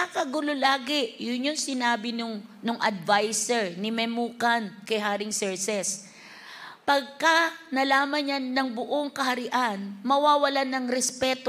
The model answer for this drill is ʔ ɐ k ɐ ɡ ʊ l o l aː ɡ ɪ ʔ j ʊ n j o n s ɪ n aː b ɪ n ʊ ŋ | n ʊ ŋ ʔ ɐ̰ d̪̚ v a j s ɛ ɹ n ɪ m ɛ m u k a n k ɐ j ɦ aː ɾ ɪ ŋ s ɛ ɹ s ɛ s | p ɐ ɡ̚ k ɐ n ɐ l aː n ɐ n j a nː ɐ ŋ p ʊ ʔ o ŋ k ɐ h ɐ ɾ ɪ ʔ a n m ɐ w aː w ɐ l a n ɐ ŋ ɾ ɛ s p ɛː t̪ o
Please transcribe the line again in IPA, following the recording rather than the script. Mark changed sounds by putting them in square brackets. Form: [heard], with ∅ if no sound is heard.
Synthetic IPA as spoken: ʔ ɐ k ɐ ɡ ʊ l o l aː ɡ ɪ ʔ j ʊ n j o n s ɪ n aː b ɪ n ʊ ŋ | n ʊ ŋ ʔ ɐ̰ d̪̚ v a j s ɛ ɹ n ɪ m ɛ m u k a n k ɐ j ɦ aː ɾ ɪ ŋ s ɛ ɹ s ɛ s | p ɐ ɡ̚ k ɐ n ɐ l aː [m] ɐ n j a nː ɐ ŋ [b] ʊ ʔ o ŋ k ɐ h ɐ ɾ ɪ ʔ a n m ɐ w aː w ɐ l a n ɐ ŋ ɾ ɛ s p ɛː t̪ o